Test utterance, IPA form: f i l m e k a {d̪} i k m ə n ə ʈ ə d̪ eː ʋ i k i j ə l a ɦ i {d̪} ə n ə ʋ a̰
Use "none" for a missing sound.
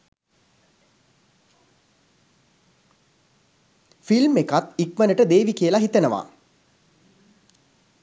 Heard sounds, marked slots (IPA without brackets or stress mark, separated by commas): t̪, t̪